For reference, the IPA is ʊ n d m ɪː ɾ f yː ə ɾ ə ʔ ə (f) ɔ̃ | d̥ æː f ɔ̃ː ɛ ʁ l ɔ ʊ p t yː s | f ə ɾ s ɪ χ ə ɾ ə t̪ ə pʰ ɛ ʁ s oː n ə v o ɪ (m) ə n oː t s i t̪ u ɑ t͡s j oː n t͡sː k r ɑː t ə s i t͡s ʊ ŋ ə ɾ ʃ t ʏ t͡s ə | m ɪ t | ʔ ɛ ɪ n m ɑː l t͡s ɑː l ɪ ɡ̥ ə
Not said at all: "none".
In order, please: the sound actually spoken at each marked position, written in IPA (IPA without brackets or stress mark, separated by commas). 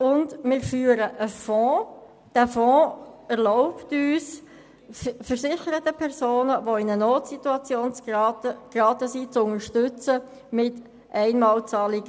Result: f, n